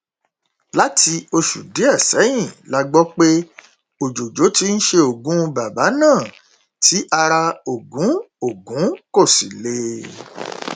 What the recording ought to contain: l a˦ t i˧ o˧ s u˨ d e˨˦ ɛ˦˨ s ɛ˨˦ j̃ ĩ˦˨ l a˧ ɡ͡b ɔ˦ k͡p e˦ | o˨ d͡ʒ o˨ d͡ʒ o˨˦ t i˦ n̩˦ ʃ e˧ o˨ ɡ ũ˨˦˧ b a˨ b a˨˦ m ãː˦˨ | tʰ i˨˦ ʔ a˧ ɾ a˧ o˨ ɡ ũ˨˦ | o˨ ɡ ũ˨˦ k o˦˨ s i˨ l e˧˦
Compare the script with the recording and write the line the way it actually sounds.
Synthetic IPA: l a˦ t i˧ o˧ ʃ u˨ d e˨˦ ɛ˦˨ s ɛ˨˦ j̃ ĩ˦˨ l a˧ ɡ͡b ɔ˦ k͡p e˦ | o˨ d͡ʒ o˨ d͡ʒ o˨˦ t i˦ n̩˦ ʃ e˧ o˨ ɡ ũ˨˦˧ b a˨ b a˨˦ n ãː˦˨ | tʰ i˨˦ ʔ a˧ ɾ a˧ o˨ ɡ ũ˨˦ | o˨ ɡ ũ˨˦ k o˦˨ s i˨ l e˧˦